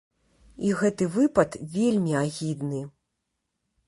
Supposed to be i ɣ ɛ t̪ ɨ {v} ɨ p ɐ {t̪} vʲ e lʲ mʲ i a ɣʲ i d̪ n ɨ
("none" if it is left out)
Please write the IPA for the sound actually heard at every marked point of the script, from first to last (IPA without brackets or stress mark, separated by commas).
v, t̪